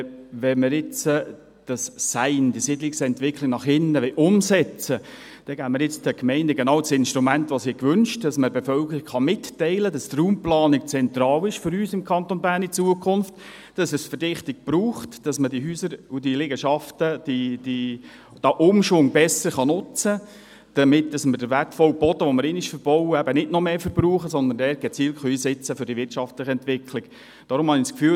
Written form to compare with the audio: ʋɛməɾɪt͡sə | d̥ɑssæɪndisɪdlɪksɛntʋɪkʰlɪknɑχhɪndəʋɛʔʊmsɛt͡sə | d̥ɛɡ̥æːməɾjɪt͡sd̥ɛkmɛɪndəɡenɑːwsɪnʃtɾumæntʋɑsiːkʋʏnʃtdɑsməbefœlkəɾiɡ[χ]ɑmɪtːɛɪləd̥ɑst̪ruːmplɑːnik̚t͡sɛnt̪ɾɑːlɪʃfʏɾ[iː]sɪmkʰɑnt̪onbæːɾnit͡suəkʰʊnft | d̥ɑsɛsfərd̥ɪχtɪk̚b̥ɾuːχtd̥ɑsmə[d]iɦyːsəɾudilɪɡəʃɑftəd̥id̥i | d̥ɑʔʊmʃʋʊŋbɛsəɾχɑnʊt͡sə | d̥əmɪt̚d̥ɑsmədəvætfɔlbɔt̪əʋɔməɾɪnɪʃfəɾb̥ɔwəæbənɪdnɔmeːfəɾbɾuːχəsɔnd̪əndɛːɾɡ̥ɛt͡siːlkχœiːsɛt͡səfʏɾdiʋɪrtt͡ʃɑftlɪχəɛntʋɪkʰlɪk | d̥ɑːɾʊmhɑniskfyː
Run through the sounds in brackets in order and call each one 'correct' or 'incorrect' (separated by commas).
correct, incorrect, correct